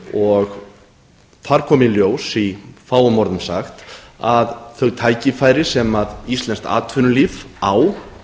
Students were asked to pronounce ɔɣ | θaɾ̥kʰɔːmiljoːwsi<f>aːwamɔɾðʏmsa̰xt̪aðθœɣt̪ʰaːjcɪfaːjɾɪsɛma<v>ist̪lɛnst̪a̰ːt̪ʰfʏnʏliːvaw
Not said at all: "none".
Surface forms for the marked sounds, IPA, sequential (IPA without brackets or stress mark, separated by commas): f, ð